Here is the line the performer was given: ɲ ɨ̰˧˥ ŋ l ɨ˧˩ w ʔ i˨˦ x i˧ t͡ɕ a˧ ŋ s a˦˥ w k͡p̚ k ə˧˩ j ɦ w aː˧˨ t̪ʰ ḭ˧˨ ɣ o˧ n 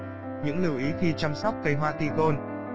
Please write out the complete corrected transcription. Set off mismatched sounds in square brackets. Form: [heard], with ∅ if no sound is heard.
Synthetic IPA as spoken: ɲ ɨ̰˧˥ ŋ l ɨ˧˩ w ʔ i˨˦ x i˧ t͡ɕ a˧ [m] s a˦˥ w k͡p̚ k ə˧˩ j ɦ w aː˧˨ [t̪] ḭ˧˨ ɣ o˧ n